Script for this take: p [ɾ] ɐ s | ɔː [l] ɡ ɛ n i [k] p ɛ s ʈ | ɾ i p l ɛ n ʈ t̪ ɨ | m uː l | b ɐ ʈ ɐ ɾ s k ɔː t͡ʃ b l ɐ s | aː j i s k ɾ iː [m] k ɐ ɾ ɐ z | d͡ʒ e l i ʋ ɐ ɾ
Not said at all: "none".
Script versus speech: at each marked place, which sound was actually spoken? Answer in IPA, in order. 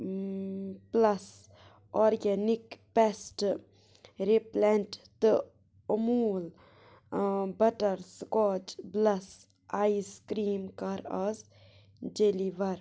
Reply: l, ɾ, k, m

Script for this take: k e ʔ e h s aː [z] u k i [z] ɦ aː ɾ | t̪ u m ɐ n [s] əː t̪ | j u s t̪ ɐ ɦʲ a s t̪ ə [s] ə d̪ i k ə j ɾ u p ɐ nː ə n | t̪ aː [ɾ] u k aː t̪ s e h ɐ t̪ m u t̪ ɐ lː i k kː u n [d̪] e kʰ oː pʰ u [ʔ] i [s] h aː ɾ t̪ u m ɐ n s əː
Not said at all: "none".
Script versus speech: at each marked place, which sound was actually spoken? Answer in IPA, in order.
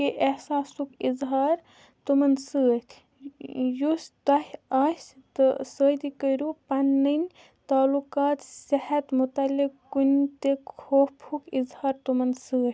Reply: s, z, s, s, l, t̪, k, z

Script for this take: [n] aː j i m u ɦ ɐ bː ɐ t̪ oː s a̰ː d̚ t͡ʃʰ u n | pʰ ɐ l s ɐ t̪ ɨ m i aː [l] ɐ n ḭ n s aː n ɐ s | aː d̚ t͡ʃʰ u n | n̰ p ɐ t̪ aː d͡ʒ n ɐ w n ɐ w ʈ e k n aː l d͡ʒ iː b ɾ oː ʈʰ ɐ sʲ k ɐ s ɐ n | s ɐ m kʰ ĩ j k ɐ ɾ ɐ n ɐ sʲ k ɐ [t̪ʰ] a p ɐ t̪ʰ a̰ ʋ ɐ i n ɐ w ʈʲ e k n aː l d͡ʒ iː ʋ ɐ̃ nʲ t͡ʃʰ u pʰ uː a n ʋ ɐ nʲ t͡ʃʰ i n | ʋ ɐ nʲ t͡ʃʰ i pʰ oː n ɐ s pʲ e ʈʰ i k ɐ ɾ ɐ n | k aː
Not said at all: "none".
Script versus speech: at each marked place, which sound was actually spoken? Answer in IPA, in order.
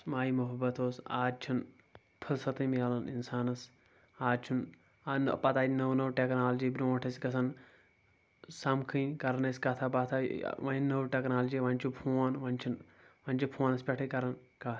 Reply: m, l, t̪ʰ

